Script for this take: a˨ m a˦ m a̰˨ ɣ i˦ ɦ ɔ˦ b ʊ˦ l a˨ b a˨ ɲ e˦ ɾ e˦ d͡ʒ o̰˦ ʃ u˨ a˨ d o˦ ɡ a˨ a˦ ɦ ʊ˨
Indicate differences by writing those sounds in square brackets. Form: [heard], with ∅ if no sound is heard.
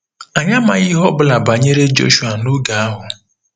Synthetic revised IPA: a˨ [ɲ] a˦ m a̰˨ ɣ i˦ ɦ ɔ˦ b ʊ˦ l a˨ b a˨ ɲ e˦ ɾ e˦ d͡ʒ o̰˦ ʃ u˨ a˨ [n] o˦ ɡ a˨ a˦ ɦ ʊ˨